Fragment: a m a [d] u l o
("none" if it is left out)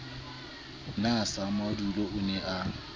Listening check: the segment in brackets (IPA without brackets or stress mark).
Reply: d